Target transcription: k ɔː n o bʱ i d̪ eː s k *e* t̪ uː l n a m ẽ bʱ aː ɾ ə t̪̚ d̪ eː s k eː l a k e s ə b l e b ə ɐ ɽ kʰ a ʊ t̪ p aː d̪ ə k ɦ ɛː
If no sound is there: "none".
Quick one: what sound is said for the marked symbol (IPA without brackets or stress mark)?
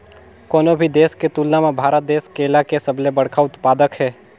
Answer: e